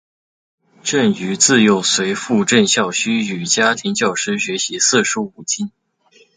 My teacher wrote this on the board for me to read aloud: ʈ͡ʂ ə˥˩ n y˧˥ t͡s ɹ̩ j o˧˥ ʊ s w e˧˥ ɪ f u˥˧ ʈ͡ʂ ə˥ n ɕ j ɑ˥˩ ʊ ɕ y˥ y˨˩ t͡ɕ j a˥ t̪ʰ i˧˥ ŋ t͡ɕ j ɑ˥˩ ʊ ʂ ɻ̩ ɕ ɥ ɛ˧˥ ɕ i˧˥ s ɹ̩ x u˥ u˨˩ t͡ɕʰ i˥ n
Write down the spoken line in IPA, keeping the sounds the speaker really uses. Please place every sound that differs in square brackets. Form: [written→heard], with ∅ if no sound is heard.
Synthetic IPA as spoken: ʈ͡ʂ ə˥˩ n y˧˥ t͡s ɹ̩ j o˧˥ ʊ s w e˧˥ ɪ f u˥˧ ʈ͡ʂ [ə˥→ə˥˧] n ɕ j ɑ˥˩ ʊ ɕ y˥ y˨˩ t͡ɕ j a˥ t̪ʰ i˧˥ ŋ t͡ɕ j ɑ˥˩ ʊ ʂ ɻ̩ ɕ ɥ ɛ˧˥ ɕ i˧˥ s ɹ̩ [x→ʂ] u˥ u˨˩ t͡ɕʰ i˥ n